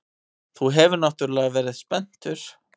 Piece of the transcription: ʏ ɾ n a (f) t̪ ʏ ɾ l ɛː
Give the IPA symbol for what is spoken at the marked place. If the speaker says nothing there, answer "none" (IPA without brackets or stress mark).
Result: h